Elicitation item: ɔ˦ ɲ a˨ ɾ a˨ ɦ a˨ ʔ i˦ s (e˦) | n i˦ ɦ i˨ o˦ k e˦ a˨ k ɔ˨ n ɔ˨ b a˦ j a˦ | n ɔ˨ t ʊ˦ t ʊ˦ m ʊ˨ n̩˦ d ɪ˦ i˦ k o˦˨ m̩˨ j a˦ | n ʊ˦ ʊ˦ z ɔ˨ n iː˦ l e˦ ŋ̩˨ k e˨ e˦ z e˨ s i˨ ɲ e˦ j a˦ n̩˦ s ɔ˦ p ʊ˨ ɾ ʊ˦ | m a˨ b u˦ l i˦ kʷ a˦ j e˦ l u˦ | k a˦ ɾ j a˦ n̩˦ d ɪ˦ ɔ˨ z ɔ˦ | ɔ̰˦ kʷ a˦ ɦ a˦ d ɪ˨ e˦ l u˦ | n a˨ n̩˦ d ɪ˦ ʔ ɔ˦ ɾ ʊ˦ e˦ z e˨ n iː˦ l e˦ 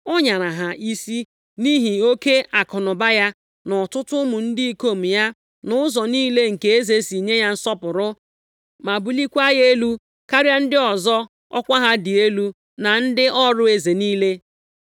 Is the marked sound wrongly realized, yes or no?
yes